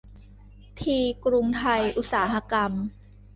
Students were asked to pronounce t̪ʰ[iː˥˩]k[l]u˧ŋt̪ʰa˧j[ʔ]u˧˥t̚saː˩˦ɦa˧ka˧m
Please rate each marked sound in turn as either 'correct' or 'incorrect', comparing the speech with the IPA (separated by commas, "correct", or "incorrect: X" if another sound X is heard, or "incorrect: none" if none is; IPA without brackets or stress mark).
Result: incorrect: iː˧, incorrect: ɾ, correct